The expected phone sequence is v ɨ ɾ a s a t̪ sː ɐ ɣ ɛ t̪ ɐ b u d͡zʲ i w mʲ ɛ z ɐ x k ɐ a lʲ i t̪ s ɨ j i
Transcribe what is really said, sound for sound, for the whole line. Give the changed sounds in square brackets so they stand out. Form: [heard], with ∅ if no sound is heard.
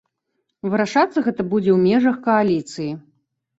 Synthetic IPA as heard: v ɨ ɾ a [ʂ] a t̪ sː ɐ ɣ ɛ t̪ ɐ b u d͡zʲ [ɛ] w mʲ ɛ [ʐ] ɐ x k ɐ a lʲ i t̪ s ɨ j i